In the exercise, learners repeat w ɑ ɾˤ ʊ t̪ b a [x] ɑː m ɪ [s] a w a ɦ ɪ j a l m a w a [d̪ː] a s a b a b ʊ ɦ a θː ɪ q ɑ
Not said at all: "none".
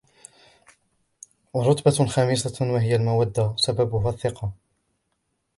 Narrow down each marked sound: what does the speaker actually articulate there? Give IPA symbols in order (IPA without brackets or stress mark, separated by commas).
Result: x, s, d̪ː